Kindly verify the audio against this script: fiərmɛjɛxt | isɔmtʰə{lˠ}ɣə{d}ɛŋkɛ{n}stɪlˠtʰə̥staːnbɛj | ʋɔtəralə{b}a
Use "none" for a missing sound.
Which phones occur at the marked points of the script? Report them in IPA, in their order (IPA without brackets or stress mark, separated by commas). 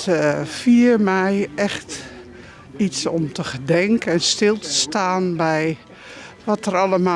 none, d, n, m